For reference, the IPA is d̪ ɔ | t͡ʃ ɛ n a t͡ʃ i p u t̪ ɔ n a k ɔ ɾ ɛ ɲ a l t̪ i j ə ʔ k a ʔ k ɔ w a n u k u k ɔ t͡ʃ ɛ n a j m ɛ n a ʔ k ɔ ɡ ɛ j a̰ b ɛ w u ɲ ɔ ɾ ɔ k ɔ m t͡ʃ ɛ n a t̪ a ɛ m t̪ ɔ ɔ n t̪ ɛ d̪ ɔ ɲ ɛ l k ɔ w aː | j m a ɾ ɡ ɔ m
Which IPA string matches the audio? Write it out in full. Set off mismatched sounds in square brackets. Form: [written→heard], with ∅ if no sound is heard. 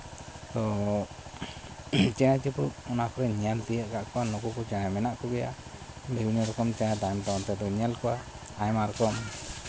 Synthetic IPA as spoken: [d̪→t̪] ɔ | t͡ʃ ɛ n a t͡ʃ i p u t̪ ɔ n a k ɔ ɾ ɛ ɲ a l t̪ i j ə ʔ k a ʔ k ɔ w a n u k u k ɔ t͡ʃ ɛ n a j m ɛ n a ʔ k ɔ ɡ ɛ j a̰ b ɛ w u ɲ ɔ ɾ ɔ k ɔ m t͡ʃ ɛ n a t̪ a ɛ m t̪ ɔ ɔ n t̪ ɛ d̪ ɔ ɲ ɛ l k ɔ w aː | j m a ɾ [ɡ→k] ɔ m